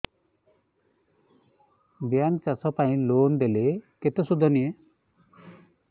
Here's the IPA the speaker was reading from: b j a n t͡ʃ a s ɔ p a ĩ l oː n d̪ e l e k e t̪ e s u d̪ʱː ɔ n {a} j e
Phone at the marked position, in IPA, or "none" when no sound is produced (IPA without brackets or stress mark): i